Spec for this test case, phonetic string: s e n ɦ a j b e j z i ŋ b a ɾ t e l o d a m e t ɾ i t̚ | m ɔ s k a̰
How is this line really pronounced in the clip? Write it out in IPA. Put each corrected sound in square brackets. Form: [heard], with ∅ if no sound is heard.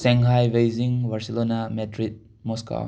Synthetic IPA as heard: s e [ŋ] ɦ a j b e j z i ŋ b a ɾ [s] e l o [n] a m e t ɾ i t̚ | m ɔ s k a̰